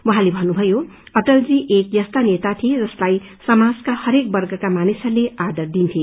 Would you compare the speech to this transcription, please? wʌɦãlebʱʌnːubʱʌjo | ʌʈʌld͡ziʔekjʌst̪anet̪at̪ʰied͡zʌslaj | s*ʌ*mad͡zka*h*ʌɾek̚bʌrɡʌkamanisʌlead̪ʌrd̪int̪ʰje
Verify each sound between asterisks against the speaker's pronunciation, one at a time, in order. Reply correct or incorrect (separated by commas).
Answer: correct, correct